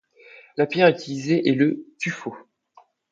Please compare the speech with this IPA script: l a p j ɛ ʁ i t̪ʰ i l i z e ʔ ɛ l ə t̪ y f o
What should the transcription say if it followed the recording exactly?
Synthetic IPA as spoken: l a p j ɛ ʁ y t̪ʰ i l i z e ʔ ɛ l ə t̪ y f o